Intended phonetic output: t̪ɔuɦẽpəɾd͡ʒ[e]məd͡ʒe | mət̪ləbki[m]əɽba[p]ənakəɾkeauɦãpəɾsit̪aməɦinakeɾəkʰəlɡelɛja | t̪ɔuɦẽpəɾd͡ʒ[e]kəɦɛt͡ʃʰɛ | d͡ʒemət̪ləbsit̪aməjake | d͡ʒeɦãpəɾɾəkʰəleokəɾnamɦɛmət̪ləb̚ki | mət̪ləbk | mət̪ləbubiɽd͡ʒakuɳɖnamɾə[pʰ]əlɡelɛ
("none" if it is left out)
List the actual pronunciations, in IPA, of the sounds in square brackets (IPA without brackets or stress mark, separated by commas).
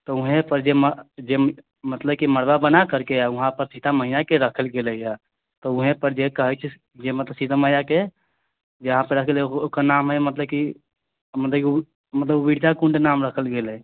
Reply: e, m, b, e, kʰ